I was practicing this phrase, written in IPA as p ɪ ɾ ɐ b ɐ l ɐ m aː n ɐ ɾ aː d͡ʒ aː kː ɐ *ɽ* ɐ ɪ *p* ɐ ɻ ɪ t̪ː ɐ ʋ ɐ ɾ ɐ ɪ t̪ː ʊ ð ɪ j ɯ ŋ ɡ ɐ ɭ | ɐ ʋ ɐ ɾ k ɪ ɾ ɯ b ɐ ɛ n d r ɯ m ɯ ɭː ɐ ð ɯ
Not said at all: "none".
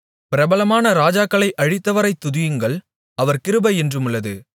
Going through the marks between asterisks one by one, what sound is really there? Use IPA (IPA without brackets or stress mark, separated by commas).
ɭ, ʔ